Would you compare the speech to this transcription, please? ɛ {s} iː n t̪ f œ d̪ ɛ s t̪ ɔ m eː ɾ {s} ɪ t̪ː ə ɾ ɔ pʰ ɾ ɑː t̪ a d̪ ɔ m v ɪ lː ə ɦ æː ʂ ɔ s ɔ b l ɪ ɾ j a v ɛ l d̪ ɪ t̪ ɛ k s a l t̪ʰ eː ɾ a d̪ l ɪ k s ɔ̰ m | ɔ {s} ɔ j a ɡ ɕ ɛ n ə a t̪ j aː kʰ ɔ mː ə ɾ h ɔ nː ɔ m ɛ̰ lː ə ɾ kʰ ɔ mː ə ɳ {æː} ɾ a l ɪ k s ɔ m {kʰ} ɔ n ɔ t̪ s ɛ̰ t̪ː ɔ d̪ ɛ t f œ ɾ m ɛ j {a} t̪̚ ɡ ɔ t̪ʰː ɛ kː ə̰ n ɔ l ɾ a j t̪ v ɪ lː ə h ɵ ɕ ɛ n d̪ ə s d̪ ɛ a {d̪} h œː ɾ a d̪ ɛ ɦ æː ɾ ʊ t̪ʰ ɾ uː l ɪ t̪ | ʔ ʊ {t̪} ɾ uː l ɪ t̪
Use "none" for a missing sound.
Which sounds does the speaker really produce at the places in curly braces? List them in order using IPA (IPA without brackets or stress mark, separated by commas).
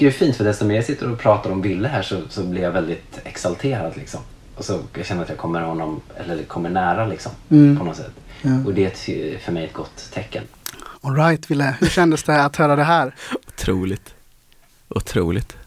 f, s, s, æː, pʰ, ɛ, t̪, t̪ʰ